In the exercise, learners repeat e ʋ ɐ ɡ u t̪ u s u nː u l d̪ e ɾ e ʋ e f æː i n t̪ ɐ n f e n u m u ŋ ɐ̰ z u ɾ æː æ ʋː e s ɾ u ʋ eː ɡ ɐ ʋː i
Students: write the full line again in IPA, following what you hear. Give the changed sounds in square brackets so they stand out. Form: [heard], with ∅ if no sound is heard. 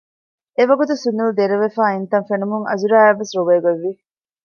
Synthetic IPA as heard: e ʋ ɐ ɡ u t̪ u s u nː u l d̪ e ɾ e ʋ e f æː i n t̪ ɐ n f e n u m u ŋ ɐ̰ z u ɾ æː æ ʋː e s ɾ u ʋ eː ɡ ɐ ʋː i